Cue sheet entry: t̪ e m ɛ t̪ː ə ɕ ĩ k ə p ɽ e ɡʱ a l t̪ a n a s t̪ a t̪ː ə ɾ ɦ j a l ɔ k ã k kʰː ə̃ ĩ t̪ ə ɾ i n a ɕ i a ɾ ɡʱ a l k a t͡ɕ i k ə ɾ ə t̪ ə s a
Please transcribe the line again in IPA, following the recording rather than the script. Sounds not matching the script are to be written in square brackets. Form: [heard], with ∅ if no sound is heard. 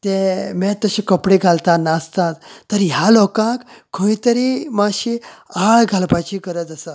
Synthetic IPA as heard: t̪ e m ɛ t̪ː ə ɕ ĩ k ə p ɽ e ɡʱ a l t̪ a n a s t̪ a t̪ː ə ɾ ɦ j a l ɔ k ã k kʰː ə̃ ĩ t̪ ə ɾ i [m] a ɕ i a [ɭ] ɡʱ a l [p] a t͡ɕ i k ə ɾ ə t̪ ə s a